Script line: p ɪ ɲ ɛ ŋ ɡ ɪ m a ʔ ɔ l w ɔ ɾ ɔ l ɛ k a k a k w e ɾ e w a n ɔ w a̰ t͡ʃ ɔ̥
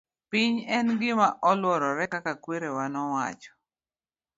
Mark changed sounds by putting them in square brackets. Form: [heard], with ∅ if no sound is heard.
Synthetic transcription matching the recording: p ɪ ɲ ɛ [n] ɡ ɪ m a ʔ ɔ l w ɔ ɾ ɔ [ɾ] ɛ k a k a k w e ɾ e w a n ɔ w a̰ t͡ʃ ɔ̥